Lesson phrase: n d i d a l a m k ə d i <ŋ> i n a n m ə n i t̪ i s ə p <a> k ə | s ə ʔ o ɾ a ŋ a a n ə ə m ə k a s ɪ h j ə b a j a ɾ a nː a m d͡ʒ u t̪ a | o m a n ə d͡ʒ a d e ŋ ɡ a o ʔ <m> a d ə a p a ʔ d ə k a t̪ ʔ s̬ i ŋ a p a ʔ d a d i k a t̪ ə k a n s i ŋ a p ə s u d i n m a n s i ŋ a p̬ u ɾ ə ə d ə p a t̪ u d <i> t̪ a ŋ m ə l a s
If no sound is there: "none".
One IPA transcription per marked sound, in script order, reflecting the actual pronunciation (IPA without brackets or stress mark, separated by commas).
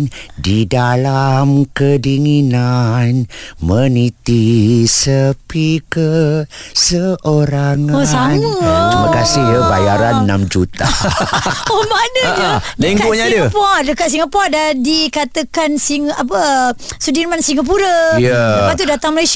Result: ŋ, i, ɲ, a